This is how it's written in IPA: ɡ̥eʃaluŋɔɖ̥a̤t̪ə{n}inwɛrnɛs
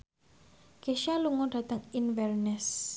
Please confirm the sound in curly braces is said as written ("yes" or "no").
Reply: no